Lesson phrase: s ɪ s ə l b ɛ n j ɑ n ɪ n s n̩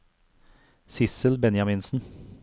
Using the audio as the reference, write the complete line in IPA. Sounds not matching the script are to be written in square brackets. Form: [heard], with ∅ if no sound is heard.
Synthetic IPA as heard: s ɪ s ə l b ɛ n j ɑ [m] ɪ n s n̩